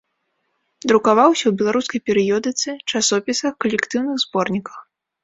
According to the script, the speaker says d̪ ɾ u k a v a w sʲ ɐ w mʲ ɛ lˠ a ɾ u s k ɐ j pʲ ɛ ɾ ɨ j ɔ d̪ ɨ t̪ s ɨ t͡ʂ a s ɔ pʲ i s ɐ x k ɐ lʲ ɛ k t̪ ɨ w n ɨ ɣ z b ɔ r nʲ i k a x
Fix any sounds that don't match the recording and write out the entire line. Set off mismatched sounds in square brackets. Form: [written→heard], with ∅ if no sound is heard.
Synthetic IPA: d̪ ɾ u k a v a w sʲ ɐ w [mʲ→bʲ] ɛ lˠ a ɾ u s k ɐ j pʲ ɛ ɾ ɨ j ɔ d̪ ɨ t̪ s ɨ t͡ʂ a s ɔ pʲ i s ɐ x k ɐ lʲ ɛ k t̪ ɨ w n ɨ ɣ z b ɔ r nʲ i k [a→ɐ] x